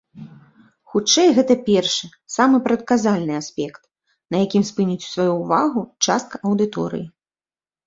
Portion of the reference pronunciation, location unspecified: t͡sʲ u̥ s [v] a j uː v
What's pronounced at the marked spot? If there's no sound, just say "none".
v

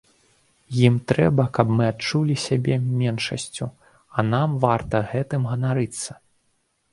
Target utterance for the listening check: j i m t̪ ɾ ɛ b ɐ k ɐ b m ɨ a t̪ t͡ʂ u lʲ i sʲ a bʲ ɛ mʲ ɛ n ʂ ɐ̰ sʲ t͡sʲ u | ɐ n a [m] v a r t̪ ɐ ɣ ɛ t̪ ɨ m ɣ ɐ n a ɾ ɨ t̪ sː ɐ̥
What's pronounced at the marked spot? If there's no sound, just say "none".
m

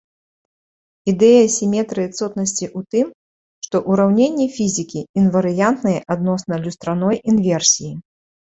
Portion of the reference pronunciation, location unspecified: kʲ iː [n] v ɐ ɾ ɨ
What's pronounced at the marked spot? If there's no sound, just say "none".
n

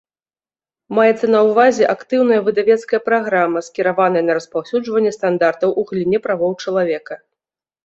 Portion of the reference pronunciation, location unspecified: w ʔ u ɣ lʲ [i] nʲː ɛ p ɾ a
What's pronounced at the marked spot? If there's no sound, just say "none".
i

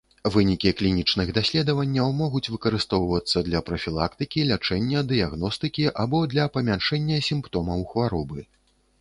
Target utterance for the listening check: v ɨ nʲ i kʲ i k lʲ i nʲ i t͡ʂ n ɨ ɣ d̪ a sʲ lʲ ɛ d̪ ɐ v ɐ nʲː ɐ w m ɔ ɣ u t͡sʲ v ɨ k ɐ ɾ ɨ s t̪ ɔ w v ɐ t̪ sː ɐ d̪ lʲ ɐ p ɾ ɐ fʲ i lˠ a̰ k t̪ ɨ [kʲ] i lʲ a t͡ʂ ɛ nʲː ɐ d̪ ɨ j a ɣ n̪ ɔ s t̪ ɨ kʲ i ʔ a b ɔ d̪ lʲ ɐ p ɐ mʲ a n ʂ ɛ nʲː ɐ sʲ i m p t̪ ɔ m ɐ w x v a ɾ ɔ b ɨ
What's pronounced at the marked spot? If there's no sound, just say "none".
kʲ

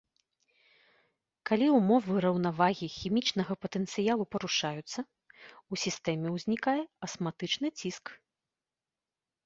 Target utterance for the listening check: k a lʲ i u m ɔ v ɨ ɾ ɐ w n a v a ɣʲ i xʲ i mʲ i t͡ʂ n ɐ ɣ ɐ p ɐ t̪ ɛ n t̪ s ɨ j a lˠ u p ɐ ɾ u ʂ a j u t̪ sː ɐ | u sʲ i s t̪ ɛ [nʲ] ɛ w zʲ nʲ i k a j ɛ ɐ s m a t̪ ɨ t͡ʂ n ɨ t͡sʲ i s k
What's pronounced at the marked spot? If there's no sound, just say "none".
mʲ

